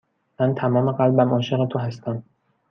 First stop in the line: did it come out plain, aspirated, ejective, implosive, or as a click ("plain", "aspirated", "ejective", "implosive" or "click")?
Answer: aspirated